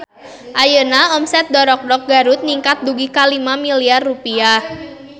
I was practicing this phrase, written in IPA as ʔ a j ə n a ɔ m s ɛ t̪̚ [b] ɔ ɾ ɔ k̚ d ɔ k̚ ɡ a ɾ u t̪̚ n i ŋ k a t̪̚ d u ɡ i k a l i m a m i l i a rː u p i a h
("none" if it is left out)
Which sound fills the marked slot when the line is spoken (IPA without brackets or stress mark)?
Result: d